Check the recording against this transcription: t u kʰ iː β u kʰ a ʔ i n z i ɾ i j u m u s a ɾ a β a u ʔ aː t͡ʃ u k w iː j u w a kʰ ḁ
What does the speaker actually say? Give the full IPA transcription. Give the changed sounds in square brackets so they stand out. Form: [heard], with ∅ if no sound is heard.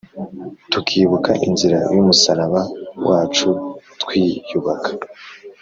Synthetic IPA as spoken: t u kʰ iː β u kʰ a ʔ i n z i ɾ [a] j u m u s a ɾ a β a [w] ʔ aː t͡ʃ u [t] w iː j u [β] a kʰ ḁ